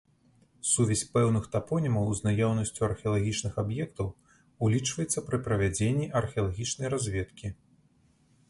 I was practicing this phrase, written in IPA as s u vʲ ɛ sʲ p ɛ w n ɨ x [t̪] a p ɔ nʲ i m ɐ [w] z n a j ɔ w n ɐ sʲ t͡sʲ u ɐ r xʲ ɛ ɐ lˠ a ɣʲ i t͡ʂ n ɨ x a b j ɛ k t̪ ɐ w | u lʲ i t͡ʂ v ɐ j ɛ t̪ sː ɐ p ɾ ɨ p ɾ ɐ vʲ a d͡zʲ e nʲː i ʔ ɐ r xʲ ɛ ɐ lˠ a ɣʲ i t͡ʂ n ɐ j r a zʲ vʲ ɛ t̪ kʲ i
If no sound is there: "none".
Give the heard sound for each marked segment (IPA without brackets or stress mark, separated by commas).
t̪, w